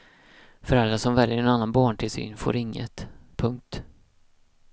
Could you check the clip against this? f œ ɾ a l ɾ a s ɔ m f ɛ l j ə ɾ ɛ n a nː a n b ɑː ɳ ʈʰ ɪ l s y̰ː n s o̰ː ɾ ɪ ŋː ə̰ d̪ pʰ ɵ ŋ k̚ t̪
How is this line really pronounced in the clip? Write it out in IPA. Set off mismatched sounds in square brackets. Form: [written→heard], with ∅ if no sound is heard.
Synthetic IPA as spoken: f œ ɾ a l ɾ a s ɔ m [f→v] ɛ l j ə ɾ ɛ n a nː a n b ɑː ɳ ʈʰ ɪ l s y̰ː n [s→f] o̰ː ɾ ɪ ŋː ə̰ [d̪→t̪] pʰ ɵ ŋ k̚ t̪